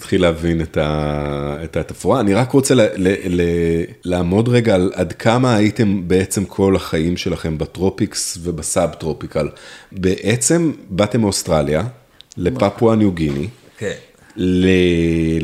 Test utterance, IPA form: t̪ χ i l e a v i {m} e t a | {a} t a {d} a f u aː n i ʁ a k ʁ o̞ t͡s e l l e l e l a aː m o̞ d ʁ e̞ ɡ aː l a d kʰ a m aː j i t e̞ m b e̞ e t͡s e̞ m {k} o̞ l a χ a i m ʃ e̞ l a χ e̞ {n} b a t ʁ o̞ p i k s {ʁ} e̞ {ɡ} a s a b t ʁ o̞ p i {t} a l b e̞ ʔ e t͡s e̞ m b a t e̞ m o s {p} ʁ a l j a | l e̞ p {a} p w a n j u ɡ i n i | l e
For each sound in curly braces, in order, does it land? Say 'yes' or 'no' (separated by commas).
no, no, no, no, no, no, no, no, no, yes